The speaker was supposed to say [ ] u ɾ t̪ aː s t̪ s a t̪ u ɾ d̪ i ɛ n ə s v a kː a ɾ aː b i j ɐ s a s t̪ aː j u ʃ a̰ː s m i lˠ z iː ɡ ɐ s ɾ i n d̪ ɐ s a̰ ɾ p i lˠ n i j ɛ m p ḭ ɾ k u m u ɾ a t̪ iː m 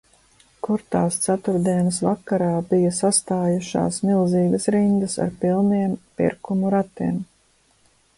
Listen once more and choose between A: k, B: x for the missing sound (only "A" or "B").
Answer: A